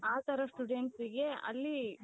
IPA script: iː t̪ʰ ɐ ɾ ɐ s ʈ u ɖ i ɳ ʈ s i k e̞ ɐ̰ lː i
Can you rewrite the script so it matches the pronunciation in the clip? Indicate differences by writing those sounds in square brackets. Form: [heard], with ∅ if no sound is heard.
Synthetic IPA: [aː] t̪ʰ ɐ ɾ ɐ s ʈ u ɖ [e] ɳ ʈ s i [ɡ] e̞ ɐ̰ lː i